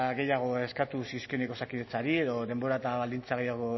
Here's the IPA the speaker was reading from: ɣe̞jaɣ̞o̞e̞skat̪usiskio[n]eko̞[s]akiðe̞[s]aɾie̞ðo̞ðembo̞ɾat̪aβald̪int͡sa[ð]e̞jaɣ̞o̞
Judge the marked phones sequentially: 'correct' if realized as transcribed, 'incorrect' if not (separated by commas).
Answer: correct, correct, incorrect, incorrect